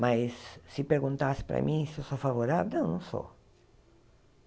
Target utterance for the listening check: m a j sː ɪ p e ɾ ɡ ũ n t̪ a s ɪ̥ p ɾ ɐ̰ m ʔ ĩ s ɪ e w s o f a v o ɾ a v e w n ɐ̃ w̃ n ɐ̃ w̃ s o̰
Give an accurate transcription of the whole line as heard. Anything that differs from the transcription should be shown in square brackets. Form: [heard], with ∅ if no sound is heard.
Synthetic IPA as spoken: m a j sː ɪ p e ɾ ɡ ũ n t̪ a s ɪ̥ p ɾ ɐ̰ m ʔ ĩ s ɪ e w s o f a v o ɾ a v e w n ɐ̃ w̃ n ɐ̃ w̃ s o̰